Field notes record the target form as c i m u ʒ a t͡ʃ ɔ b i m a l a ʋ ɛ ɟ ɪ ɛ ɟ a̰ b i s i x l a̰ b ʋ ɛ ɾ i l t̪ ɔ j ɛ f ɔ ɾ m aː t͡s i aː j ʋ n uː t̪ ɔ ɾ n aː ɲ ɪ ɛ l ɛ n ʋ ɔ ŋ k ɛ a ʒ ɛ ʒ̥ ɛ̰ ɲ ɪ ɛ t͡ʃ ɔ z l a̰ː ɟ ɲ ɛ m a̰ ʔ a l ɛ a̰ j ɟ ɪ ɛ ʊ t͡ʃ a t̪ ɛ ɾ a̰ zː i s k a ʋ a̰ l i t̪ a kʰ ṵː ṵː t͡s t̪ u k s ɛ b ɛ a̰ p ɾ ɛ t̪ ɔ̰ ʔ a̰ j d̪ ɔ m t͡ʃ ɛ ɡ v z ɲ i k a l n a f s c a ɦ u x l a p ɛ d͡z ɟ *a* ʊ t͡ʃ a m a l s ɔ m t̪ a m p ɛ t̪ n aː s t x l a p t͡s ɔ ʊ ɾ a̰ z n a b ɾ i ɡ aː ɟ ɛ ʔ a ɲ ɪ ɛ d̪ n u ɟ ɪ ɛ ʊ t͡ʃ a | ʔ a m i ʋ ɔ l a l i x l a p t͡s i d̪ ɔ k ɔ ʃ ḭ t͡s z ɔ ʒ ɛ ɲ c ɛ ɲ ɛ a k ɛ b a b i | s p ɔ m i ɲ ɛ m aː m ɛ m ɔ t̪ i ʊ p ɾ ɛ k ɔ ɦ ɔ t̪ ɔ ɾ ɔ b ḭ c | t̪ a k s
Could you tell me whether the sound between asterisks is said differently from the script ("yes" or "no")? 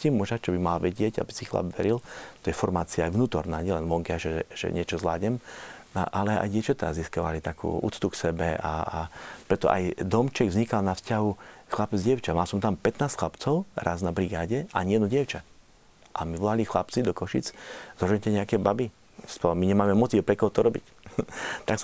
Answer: yes